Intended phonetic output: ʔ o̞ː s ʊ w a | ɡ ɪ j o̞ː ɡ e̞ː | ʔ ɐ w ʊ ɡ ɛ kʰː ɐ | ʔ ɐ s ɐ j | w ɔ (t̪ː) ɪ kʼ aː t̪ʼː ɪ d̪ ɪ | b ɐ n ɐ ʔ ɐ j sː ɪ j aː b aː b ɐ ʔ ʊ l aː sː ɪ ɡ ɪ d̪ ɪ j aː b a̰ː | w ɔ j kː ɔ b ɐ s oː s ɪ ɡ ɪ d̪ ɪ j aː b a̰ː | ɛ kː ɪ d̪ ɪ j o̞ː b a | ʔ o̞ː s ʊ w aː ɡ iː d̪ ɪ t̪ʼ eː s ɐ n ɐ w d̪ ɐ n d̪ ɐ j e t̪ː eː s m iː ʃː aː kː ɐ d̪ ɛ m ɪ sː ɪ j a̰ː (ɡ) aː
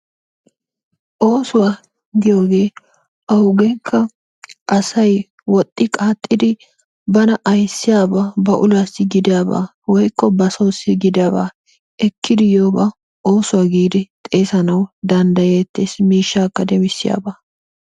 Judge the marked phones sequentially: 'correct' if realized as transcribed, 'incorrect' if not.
incorrect: t̪ʼː, incorrect: b

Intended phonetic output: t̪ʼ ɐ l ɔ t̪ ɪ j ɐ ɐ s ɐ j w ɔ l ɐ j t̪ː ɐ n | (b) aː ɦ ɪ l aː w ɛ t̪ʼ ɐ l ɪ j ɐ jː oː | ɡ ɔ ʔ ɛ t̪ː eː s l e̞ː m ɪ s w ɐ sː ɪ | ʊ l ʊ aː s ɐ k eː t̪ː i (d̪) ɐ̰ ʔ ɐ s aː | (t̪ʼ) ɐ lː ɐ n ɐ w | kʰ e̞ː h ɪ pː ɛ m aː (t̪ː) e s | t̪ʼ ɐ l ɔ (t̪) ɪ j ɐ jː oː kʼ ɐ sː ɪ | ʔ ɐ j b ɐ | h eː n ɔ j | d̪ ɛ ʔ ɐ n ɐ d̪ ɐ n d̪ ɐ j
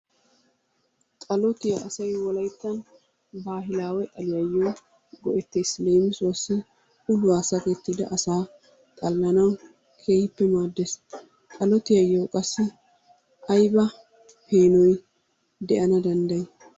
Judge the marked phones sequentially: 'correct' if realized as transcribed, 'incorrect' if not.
correct, correct, correct, incorrect: d̪ː, correct

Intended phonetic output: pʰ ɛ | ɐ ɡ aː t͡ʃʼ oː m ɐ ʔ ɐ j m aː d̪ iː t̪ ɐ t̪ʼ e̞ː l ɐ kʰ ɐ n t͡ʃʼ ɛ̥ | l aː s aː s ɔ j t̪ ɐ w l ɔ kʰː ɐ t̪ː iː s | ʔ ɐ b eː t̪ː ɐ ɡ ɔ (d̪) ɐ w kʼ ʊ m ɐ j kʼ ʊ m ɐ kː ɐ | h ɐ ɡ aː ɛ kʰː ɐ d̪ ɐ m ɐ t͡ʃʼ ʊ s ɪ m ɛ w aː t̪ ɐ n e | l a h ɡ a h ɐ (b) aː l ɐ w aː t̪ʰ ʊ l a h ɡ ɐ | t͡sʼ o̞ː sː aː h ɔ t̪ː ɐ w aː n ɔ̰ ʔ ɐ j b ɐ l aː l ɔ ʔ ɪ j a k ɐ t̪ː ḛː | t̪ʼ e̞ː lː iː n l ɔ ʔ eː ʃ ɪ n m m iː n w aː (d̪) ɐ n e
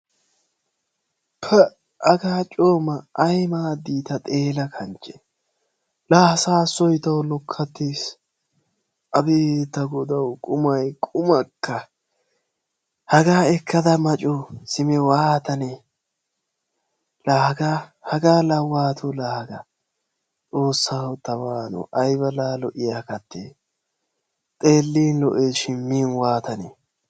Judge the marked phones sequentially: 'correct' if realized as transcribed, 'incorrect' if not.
correct, incorrect: ɡ, incorrect: t̪

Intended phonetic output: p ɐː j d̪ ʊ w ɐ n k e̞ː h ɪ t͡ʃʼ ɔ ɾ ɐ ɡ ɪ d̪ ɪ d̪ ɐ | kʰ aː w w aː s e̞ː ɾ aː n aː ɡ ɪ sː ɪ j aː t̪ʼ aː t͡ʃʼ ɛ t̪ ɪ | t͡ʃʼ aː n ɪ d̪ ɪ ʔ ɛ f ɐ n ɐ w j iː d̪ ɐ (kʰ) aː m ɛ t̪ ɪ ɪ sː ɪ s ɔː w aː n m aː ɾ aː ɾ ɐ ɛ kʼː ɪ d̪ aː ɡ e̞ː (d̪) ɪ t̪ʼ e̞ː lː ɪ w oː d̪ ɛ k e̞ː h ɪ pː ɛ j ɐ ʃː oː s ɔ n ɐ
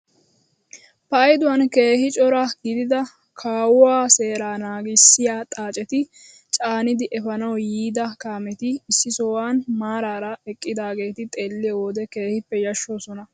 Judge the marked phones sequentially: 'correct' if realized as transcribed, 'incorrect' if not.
incorrect: k, incorrect: t̪

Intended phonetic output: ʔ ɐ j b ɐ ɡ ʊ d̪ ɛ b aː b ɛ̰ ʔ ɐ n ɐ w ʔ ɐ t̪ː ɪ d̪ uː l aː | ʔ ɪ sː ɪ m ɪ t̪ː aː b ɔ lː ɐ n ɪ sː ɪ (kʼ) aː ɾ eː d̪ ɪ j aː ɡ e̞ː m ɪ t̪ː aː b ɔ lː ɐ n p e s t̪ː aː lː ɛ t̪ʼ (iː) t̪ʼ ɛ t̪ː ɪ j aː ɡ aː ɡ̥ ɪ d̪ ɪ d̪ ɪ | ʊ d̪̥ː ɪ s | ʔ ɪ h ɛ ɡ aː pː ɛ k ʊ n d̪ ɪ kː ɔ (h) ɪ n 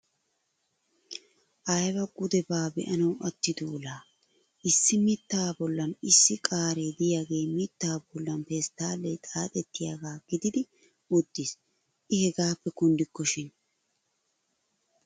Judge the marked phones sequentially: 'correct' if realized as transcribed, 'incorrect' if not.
correct, incorrect: aː, incorrect: ʃ

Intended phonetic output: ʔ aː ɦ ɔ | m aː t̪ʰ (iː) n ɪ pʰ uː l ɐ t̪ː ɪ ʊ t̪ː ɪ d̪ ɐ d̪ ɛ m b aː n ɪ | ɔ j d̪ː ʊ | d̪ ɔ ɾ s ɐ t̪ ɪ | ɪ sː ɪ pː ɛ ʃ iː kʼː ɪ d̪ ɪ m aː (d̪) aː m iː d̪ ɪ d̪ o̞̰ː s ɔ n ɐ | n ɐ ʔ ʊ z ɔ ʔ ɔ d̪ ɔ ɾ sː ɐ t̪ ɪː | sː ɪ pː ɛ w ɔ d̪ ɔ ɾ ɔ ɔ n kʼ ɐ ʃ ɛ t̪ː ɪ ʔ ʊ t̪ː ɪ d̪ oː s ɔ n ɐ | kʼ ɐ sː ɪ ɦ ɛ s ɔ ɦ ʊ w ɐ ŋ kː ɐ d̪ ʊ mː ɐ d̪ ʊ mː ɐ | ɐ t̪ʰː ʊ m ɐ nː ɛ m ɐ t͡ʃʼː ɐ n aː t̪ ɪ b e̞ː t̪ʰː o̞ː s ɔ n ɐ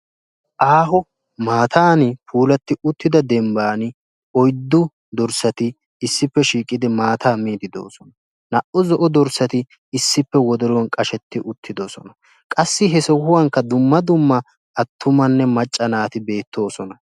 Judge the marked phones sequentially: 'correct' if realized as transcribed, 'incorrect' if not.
incorrect: aː, incorrect: t̪

